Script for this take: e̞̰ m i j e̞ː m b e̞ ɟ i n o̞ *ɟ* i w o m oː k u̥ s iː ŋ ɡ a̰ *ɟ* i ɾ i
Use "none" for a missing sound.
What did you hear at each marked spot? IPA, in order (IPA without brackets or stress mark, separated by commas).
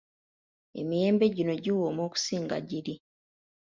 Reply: ɟ, ɟ